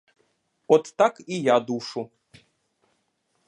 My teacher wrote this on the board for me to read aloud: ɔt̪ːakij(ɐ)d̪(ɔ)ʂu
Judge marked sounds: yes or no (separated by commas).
no, no